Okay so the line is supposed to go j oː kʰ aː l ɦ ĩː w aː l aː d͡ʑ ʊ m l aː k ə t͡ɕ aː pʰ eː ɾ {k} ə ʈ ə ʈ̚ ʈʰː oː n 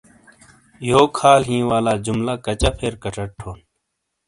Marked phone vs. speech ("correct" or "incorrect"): correct